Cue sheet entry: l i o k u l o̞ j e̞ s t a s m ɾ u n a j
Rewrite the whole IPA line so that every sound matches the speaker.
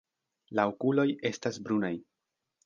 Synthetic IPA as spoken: l a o k u l o̞ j e̞ s t a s b ɾ u n a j